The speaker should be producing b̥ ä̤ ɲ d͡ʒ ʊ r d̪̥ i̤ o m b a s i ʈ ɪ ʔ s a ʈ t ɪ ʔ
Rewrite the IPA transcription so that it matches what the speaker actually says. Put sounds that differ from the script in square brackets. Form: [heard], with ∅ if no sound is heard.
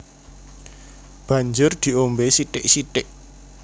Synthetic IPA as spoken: b̥ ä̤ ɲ d͡ʒ ʊ r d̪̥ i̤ o m b [e] s i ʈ ɪ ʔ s [i] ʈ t ɪ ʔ